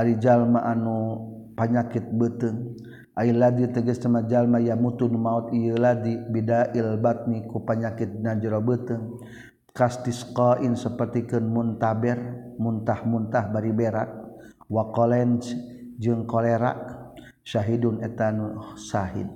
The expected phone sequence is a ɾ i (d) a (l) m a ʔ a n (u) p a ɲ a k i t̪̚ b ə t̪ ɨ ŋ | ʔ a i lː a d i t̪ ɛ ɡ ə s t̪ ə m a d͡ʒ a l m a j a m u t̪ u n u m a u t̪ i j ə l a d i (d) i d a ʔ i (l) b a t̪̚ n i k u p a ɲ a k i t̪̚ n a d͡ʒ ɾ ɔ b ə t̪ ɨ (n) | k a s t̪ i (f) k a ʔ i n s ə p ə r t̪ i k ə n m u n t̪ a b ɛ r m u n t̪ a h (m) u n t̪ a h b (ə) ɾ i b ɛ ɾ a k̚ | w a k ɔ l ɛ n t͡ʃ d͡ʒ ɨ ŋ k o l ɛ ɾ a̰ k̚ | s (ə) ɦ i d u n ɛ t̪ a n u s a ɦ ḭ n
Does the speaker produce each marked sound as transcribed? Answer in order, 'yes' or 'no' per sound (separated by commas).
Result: no, yes, yes, no, yes, no, no, yes, no, no